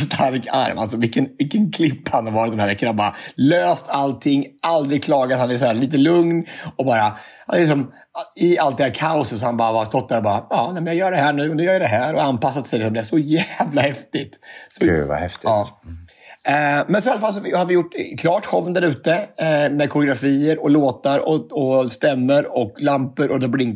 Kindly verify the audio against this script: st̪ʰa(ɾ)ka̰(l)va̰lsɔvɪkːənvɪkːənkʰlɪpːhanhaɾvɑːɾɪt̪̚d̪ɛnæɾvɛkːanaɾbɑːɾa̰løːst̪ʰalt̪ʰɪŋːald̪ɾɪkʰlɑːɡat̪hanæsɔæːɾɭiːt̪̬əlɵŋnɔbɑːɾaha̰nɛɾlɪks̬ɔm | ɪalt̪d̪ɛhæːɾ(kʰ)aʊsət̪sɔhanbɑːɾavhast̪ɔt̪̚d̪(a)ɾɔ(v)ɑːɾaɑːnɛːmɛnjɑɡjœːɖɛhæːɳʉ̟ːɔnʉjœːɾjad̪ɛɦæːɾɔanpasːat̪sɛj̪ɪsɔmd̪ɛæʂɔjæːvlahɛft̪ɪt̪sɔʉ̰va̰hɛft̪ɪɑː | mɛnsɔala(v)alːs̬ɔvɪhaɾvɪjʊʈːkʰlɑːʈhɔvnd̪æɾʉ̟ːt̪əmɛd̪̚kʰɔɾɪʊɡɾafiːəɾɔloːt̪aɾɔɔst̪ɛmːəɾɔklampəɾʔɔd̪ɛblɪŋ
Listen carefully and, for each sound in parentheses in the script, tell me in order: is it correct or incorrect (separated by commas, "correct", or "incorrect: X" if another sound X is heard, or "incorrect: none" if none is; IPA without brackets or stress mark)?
correct, incorrect: ɾ, correct, incorrect: æ, incorrect: b, incorrect: f